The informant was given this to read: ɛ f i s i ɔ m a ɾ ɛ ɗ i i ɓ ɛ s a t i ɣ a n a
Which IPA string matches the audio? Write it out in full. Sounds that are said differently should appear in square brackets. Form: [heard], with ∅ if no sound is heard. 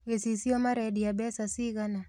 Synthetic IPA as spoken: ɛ [s] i s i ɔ m a ɾ ɛ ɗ i [a] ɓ ɛ s a [s] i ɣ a n a